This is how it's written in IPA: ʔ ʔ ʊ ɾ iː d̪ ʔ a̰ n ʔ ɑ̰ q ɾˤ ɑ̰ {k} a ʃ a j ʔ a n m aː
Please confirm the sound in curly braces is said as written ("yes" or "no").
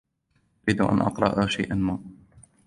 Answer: no